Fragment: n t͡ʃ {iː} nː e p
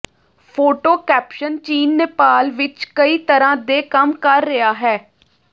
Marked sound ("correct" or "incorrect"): correct